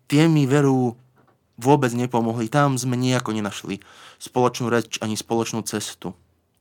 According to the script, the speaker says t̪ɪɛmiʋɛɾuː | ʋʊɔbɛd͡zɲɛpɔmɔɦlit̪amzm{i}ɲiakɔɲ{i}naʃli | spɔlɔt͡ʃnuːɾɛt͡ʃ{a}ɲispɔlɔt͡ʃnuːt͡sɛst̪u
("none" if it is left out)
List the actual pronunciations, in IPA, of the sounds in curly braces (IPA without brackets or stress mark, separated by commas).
ɛ, ɛ, a